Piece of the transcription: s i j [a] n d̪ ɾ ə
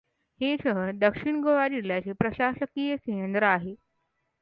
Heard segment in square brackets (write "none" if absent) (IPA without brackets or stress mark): ə